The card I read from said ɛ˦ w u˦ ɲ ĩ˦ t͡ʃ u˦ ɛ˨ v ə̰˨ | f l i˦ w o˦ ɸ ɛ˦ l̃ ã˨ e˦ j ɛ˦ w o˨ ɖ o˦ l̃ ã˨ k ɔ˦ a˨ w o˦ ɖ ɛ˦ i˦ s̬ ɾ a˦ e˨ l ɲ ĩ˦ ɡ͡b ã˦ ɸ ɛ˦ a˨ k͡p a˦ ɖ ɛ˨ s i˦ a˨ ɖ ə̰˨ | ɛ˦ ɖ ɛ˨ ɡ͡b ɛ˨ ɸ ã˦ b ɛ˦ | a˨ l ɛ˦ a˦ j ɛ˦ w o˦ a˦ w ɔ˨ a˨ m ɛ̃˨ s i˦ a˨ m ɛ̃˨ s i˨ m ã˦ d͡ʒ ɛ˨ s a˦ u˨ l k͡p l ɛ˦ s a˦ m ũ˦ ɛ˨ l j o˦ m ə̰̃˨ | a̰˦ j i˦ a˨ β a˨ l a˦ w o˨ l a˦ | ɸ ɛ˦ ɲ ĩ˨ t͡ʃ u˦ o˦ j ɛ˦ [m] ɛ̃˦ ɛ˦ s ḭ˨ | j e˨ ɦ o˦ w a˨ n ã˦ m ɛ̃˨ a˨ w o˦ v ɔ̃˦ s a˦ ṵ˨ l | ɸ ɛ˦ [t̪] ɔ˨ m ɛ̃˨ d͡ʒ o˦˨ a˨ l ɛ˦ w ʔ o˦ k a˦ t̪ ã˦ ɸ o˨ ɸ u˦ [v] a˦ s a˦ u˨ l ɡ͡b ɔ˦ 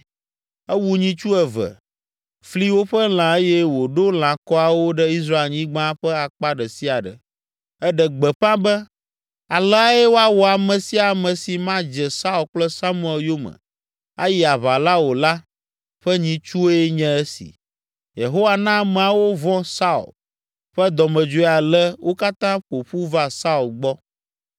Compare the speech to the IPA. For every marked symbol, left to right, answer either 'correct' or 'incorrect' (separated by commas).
incorrect, incorrect, correct